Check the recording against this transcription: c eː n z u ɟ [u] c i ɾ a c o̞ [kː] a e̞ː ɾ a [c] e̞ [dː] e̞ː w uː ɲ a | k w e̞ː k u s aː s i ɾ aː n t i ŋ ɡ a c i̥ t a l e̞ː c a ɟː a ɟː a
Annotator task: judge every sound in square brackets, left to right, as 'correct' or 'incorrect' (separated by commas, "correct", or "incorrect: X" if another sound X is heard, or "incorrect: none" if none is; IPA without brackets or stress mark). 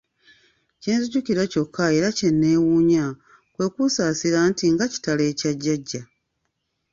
correct, correct, correct, incorrect: nː